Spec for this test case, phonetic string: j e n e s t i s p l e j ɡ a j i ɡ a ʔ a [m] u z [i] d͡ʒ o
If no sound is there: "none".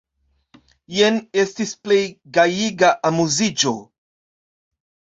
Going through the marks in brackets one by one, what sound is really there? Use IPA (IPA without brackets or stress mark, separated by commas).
m, i